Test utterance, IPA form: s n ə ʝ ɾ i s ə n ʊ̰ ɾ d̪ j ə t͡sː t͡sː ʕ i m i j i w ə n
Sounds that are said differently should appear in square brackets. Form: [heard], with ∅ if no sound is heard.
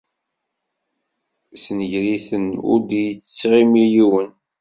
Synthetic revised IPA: s n ə ʝ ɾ i [θ] ə n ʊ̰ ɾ d̪ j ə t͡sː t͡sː [ʁ] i m i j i w ə n